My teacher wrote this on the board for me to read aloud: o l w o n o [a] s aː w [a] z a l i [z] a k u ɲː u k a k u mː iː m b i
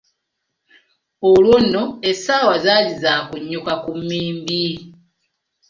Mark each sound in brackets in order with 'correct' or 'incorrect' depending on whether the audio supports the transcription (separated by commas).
incorrect, correct, correct